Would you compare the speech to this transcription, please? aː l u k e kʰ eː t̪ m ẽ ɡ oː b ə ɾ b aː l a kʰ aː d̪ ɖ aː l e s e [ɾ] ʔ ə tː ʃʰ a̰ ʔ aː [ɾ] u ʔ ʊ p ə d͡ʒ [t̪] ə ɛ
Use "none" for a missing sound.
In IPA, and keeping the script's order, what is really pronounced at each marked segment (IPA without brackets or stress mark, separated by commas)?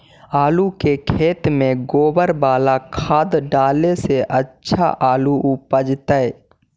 none, l, t̪